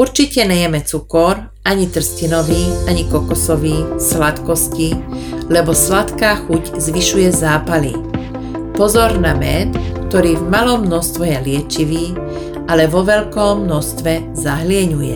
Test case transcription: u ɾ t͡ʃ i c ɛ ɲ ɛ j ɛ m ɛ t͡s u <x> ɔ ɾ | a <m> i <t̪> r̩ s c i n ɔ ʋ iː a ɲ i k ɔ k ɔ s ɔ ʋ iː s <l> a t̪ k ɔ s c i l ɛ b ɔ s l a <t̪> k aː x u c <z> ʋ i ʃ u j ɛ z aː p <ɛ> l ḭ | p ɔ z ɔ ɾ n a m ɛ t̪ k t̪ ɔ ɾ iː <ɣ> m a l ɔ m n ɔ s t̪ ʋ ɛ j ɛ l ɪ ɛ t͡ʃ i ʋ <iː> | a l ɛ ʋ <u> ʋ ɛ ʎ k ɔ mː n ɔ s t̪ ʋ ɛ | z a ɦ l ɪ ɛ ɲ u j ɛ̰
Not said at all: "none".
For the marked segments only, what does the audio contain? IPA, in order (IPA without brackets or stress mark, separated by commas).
k, ɲ, t̪, l, t̪, z, a, v, iː, ɔ